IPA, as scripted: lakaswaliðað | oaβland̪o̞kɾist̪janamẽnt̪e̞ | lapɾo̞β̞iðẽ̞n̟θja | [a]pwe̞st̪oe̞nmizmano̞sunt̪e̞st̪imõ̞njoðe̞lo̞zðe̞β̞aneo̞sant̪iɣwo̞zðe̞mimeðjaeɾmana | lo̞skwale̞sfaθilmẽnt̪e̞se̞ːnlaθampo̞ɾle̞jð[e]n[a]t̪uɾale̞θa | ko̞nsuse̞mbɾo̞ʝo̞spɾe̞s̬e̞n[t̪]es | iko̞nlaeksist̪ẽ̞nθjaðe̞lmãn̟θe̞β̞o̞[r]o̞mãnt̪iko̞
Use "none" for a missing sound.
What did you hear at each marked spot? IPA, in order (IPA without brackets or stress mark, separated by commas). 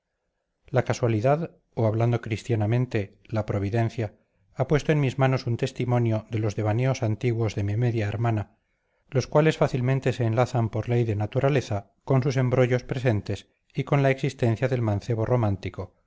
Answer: a, e, a, t̪, r